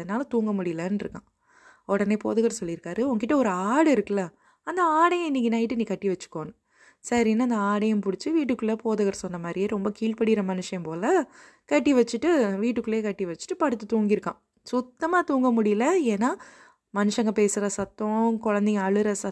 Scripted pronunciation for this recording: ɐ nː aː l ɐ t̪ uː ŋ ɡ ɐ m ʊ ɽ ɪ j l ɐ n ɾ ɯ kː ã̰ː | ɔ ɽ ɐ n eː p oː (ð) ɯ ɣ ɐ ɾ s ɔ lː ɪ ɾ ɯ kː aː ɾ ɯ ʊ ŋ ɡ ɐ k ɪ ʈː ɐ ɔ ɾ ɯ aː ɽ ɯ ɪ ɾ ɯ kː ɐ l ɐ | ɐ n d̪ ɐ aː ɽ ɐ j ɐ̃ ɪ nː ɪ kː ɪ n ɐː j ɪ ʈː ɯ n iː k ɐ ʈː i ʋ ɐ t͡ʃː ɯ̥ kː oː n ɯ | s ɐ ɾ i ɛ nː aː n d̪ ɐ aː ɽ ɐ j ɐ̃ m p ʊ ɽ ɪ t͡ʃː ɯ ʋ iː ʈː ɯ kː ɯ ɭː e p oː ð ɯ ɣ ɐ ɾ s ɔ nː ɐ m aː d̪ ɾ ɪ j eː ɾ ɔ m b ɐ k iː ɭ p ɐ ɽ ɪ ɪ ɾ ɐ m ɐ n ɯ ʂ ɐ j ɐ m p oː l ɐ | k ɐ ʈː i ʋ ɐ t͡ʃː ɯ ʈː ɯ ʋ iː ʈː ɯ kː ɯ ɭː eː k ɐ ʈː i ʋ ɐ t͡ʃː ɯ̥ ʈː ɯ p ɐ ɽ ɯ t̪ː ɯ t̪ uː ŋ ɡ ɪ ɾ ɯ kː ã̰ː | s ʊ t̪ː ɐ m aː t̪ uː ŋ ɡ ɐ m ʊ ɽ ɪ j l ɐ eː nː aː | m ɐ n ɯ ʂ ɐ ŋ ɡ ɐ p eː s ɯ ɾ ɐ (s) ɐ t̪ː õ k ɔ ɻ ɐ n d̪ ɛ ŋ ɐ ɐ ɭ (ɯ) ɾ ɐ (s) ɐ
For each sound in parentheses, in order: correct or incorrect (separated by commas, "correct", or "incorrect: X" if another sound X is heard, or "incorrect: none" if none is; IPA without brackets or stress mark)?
correct, correct, correct, correct